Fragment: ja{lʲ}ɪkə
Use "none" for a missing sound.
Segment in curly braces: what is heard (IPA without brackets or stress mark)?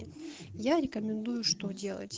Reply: ɾʲ